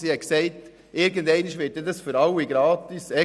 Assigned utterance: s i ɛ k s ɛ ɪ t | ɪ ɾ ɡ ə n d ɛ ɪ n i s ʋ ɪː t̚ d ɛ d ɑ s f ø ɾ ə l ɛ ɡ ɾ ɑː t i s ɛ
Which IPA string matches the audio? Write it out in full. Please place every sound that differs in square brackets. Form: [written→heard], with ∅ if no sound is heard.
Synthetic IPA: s i ɛ k s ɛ ɪ t | ɪ ɾ ɡ ə n d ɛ ɪ n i [s→ʃ] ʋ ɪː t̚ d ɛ d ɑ s f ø ɾ [ə→ɑ] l [ɛ→i] ɡ ɾ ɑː t i s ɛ